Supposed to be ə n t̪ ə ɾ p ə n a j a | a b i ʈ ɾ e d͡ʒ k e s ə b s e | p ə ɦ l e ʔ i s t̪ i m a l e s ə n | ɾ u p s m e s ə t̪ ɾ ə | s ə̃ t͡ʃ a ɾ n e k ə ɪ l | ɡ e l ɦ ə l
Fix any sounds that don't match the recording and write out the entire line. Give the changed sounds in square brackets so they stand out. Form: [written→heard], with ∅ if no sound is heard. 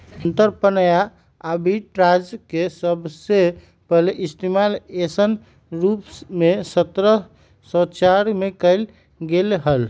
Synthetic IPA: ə n t̪ ə ɾ p ə n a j a | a b i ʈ ɾ [e→a] d͡ʒ k e s ə b s e | p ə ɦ l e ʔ i s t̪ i m a l e s ə n | ɾ u p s m e s ə t̪ ɾ ə | s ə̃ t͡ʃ a ɾ [n→m] e k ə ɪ l | ɡ e l ɦ ə l